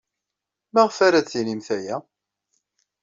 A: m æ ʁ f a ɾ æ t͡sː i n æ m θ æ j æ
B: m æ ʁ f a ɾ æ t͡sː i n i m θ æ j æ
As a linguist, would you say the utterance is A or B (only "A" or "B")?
B